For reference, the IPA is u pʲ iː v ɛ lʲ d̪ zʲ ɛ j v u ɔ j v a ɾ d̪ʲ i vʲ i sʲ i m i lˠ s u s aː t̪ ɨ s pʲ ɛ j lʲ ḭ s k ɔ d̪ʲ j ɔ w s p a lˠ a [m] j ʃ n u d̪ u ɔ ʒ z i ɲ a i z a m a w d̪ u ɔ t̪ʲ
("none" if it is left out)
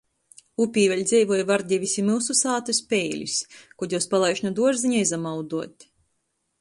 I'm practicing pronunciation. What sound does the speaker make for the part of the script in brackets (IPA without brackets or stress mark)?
none